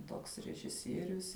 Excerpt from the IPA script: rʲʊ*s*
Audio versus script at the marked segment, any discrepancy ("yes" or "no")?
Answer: no